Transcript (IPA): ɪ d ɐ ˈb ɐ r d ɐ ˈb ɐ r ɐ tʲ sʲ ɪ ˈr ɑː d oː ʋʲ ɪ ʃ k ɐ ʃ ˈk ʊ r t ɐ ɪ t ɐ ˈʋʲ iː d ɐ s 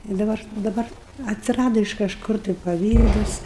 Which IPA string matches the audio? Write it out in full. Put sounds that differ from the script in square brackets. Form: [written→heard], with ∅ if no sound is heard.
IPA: ɪ d ɐ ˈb ɐ r d ɐ ˈb ɐ r ɐ tʲ sʲ ɪ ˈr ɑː d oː [ʋʲ→∅] ɪ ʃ k ɐ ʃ ˈk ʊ r t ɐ ɪ [t→p] ɐ ˈʋʲ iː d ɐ s